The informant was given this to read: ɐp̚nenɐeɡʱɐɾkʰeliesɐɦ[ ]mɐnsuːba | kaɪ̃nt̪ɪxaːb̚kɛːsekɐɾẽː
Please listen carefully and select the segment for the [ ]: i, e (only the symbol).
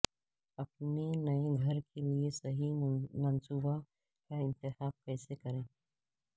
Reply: i